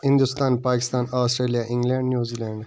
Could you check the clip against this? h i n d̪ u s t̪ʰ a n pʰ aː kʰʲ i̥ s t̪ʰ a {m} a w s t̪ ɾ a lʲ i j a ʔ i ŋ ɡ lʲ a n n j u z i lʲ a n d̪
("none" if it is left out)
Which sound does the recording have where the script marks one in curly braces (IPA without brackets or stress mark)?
n